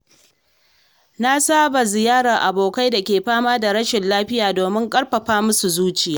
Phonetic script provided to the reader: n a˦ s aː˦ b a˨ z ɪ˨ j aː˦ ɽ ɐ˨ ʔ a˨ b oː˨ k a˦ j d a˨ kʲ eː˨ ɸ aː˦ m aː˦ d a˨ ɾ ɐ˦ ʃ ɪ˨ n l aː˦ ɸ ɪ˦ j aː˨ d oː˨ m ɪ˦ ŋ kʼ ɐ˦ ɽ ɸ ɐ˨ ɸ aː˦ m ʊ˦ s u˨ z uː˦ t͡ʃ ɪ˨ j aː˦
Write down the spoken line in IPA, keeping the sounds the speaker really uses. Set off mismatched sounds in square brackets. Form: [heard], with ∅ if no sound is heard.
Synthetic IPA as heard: n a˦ s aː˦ b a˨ z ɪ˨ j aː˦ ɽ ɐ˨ ʔ a˨ b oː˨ k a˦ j d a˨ kʲ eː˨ ɸ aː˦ m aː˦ d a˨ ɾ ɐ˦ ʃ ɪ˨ n l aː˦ ɸ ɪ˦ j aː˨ d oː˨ m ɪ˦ ŋ kʼ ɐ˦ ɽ ɸ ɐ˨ ɸ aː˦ m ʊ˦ s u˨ z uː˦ t͡ʃ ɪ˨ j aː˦